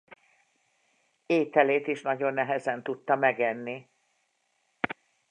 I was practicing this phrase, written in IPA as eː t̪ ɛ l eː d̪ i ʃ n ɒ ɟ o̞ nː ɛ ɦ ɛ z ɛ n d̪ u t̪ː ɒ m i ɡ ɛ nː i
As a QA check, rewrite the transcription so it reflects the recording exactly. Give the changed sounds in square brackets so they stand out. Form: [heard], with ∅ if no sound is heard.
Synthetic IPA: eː t̪ ɛ l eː [t̪] i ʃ n ɒ ɟ o̞ nː ɛ ɦ ɛ z ɛ n [t̪] u t̪ː ɒ m [ɛ] ɡ ɛ nː i